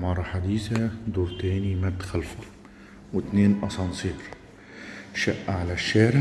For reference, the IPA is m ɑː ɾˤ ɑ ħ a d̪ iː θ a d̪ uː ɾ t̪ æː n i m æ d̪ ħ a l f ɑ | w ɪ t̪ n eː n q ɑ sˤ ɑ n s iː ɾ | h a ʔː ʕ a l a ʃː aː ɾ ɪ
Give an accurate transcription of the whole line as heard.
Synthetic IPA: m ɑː ɾˤ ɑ ħ a d̪ iː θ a d̪ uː ɾ t̪ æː n i m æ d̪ x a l f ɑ | w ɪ t̪ n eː n ʔ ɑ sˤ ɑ n s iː ɾ | ʃ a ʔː ʕ a l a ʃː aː ɾ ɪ